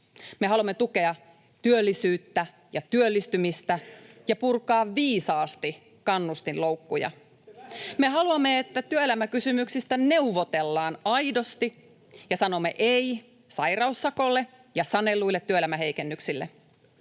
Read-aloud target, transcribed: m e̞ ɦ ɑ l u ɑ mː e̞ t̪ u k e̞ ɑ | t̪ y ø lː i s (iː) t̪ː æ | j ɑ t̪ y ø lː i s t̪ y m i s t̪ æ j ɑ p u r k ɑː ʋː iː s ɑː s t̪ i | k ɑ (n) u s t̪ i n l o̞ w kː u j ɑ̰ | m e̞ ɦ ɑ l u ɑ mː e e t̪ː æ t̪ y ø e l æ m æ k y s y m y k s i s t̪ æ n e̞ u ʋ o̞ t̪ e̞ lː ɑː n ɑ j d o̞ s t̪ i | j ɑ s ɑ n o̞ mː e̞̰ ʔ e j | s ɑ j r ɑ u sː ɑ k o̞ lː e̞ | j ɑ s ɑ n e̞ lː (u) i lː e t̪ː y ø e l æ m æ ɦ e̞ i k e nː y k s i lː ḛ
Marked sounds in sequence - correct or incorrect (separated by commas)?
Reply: incorrect, incorrect, correct